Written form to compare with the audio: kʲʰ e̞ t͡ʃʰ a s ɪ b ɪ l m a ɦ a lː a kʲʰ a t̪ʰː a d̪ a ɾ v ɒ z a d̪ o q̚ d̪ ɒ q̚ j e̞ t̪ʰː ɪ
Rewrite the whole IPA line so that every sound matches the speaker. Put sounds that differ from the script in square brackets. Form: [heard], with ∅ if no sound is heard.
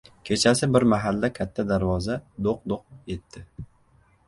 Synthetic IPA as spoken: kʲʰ e̞ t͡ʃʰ a s ɪ b ɪ [ɾ] m a ɦ a lː a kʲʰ a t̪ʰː a d̪ a ɾ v ɒ z a d̪ o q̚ d̪ [o] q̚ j e̞ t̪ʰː ɪ

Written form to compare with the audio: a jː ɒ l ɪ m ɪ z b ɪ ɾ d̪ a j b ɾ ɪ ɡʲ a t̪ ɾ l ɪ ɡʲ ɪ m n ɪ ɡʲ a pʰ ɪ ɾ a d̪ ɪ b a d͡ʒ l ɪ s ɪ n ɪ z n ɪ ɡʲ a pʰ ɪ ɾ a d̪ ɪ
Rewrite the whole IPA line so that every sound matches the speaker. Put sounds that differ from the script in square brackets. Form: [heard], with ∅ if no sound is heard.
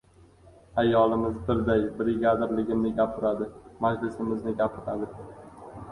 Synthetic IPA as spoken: a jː ɒ l ɪ m ɪ z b ɪ ɾ d̪ a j b ɾ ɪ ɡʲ a [d̪] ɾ l ɪ ɡʲ ɪ m n ɪ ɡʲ a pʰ ɪ ɾ a d̪ ɪ [m] a d͡ʒ l ɪ s ɪ [m] ɪ z n ɪ ɡʲ a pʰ ɪ ɾ a d̪ ɪ

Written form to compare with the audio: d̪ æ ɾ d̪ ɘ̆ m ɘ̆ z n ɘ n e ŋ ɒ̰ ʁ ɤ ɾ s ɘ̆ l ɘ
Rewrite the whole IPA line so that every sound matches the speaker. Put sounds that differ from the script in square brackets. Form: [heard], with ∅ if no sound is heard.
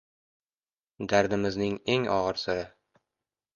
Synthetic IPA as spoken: d̪ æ ɾ d̪ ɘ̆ m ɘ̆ z n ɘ [ŋ] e ŋ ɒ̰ ʁ ɤ ɾ s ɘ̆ [ɾ] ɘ

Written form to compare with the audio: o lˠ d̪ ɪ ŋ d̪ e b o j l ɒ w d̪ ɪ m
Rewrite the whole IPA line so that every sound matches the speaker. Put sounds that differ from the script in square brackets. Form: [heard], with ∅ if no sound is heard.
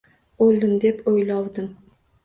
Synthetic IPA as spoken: o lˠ d̪ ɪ [m] d̪ e [p] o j l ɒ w d̪ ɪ m

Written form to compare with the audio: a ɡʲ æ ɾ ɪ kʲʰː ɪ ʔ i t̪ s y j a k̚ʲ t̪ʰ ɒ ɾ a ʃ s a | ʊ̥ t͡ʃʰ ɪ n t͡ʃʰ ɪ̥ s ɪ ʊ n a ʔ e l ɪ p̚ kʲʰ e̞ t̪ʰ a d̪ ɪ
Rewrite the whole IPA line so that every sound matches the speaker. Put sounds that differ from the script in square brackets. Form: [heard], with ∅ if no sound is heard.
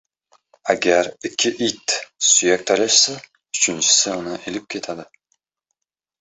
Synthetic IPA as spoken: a ɡʲ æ ɾ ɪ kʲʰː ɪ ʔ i t̪ s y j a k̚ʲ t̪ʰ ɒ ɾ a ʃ s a | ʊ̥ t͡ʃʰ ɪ n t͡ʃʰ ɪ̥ s ɪ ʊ n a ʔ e l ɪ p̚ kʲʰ e̞ t̪ʰ a d̪ ɪ

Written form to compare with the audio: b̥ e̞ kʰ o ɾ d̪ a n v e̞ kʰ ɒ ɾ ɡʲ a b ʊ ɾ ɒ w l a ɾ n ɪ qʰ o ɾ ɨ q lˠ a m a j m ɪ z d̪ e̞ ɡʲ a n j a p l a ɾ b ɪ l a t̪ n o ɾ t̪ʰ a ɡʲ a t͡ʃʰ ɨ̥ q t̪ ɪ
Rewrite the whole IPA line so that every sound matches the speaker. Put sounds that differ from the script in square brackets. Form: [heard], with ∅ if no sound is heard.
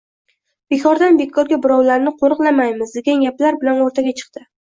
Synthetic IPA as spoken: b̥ e̞ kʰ [ɒ] ɾ d̪ a n [b] e̞ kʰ ɒ ɾ ɡʲ a b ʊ ɾ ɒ w l a ɾ n ɪ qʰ o ɾ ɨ q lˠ a m a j m ɪ z d̪ e̞ ɡʲ a n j a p l a ɾ b ɪ l a [∅] n o ɾ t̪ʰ a ɡʲ a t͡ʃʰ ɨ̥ q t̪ ɪ

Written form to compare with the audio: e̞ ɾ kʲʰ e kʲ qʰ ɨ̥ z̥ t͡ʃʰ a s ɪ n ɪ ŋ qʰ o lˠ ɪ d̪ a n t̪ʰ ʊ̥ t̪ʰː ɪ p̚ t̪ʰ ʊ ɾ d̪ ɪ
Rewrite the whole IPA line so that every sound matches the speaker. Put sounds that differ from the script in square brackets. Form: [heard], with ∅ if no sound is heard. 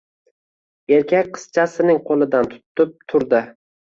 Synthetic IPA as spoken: e̞ ɾ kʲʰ [a] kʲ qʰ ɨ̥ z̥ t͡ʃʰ a s ɪ n ɪ ŋ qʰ o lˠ ɪ d̪ a n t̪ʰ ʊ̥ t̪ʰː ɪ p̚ t̪ʰ ʊ ɾ d̪ ɪ

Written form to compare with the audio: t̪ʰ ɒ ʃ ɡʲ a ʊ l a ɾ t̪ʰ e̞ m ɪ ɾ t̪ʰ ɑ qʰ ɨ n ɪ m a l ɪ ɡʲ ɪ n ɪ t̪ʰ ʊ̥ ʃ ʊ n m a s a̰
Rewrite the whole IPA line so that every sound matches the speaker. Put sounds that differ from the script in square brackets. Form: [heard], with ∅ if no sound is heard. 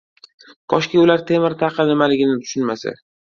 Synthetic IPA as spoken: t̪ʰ ɒ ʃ [kʲ] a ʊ l a ɾ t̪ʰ e̞ m ɪ ɾ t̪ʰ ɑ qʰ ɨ n ɪ m a l ɪ ɡʲ ɪ n ɪ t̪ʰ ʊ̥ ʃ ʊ n m a s a̰

